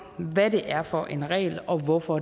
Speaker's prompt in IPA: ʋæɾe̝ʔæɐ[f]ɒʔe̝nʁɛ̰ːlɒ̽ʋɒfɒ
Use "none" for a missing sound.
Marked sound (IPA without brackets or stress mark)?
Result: f